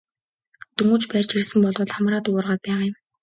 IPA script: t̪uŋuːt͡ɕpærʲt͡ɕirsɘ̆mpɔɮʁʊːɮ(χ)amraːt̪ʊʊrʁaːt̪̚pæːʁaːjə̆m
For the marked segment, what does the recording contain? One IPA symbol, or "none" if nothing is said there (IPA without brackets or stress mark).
χ